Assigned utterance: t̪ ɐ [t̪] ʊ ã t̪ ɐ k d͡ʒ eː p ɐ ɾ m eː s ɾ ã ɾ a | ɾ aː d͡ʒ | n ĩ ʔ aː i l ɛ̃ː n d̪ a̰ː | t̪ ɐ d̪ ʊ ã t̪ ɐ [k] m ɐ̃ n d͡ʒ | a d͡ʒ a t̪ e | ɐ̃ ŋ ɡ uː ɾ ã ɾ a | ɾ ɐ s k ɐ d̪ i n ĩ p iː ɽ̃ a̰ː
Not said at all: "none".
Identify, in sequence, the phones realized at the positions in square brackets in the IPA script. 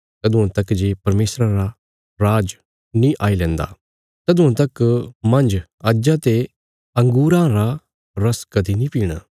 d̪, k

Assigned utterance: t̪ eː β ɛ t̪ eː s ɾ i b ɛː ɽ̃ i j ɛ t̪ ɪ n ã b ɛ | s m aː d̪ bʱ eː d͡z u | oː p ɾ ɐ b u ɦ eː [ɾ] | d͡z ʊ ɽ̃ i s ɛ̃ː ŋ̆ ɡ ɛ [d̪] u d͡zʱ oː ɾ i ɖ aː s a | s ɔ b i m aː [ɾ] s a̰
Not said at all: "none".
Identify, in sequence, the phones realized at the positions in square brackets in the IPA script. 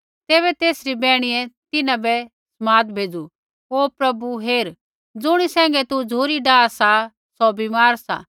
ɾ, t̪, ɾ

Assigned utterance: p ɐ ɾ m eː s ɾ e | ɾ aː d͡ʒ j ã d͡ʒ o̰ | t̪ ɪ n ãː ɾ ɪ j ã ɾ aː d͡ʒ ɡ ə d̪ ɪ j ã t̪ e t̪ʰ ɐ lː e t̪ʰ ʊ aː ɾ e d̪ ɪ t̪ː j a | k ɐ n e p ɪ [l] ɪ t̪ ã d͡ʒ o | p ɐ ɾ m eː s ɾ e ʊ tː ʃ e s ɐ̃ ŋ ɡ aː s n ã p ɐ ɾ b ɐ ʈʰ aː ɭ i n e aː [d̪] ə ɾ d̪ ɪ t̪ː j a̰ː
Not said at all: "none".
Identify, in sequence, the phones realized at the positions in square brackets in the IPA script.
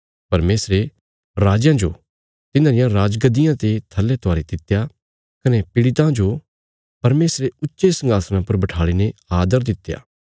ɽ, d̪

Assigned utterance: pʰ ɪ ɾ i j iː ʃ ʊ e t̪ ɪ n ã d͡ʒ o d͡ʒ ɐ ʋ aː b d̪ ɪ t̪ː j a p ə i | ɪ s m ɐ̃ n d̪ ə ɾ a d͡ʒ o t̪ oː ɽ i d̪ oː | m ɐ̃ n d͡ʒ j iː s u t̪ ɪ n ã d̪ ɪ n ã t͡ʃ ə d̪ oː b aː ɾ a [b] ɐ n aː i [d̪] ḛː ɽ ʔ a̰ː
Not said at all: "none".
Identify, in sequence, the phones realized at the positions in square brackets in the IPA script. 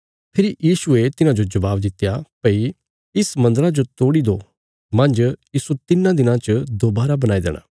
b, d̪

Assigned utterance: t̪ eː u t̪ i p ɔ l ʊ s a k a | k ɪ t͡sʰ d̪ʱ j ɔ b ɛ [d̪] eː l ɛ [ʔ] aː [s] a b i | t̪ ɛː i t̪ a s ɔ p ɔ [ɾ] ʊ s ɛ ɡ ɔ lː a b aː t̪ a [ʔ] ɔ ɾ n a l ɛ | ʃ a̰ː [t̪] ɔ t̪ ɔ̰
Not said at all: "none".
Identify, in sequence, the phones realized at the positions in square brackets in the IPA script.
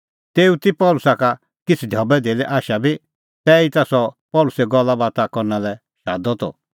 d̪, ʔ, ʃ, l, k, d̪

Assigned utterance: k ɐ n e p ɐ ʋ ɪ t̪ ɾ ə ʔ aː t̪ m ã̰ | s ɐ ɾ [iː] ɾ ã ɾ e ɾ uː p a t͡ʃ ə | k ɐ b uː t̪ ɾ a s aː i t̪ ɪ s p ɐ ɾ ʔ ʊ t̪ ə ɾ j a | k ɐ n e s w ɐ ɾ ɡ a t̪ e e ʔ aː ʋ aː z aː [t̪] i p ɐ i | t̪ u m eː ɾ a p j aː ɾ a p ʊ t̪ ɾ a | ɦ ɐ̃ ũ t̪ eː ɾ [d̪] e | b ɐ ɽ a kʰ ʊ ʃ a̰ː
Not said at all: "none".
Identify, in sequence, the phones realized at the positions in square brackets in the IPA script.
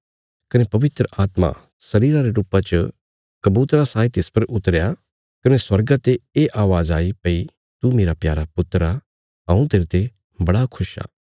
iː, none, t̪

